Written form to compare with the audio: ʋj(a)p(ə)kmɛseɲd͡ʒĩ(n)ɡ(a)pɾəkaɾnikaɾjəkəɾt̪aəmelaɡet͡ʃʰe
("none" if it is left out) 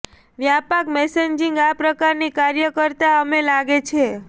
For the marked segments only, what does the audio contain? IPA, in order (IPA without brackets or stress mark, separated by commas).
a, a, ŋ, a